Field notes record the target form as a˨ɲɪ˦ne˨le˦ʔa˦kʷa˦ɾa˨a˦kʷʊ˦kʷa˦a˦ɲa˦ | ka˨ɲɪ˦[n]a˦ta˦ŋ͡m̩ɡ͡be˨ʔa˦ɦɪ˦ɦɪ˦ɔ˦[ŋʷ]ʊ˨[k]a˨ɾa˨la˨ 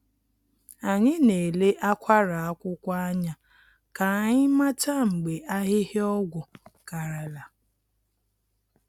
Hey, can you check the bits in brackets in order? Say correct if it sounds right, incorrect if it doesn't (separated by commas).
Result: incorrect, incorrect, correct